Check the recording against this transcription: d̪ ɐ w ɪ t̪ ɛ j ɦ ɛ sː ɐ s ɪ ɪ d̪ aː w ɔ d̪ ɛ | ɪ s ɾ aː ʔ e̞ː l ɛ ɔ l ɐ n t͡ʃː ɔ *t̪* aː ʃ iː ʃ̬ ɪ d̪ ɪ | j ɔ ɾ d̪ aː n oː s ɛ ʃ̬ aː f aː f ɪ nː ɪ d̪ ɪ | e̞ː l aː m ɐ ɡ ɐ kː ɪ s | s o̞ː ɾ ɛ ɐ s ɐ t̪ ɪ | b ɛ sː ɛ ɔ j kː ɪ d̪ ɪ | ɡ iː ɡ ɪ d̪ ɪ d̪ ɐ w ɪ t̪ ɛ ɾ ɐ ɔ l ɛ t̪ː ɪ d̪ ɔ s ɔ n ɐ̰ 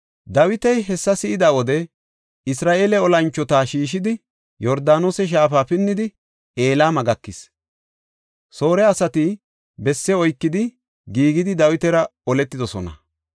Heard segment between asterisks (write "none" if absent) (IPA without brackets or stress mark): t̪